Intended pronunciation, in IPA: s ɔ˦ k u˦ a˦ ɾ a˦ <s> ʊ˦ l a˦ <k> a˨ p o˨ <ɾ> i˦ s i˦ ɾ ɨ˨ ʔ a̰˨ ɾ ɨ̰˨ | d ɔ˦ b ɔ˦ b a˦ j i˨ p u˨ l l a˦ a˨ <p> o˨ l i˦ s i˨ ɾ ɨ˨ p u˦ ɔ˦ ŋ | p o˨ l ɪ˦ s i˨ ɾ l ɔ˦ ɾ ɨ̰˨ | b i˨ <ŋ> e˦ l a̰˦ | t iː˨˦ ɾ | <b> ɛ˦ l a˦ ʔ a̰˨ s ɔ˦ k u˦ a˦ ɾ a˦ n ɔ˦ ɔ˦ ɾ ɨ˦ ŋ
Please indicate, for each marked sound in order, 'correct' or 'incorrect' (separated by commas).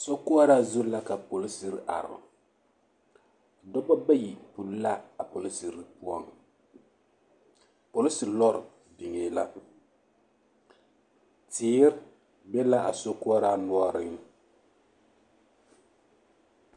incorrect, correct, incorrect, correct, correct, correct